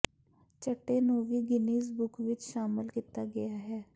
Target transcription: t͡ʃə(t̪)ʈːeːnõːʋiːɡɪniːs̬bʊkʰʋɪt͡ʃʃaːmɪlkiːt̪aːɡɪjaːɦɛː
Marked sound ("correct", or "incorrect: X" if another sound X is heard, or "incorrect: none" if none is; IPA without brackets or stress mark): incorrect: none